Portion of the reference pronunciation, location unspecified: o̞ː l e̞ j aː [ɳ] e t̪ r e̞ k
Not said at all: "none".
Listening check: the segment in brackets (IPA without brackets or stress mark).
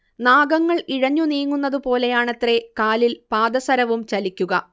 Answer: ɳ